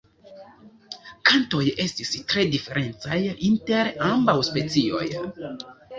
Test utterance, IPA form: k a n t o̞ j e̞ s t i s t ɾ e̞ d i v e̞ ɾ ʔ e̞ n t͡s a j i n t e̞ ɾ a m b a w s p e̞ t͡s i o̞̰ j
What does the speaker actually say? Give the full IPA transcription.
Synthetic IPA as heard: k a n t o̞ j e̞ s t i s t ɾ e̞ d i f e̞ ɾ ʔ e̞ n t͡s a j i n t e̞ ɾ a m b a w s p e̞ t͡s i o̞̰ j